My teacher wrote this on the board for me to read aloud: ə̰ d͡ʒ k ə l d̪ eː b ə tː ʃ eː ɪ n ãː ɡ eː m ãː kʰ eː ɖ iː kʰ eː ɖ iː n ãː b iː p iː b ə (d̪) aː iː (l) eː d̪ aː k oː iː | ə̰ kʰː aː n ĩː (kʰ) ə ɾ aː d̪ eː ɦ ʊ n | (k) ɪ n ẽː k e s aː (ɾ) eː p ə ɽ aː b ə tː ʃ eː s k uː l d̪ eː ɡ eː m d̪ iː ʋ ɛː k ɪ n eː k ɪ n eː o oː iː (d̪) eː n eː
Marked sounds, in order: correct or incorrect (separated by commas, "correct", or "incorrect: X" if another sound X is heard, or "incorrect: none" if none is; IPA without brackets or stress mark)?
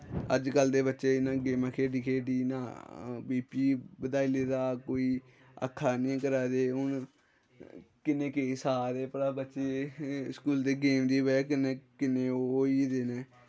correct, correct, incorrect: k, correct, correct, correct